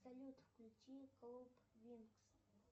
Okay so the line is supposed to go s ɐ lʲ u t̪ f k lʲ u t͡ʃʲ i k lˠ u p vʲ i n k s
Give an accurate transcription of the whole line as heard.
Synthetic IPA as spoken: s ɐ lʲ u t̪ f k lʲ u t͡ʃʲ i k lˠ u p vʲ i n k s